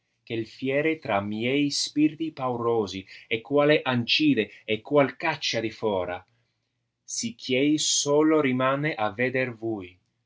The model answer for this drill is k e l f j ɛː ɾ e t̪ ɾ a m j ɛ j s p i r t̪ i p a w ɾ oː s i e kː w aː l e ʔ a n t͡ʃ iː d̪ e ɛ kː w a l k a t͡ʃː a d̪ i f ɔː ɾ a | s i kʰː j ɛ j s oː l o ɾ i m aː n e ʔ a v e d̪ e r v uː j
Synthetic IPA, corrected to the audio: k e l f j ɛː ɾ e t̪ ɾ a m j ɛ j s p i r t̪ i p a w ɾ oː z i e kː w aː l e ʔ a n t͡ʃ iː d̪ e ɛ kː w a l k a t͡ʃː a d̪ i f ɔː ɾ a | s i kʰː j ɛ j s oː l o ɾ i m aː n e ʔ a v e d̪ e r v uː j